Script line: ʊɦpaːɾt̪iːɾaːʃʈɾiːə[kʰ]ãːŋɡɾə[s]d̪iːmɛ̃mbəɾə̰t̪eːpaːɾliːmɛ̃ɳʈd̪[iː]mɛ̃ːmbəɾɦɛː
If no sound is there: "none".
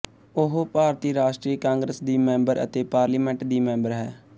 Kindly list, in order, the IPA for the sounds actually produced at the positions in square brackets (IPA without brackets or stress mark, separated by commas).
k, s, iː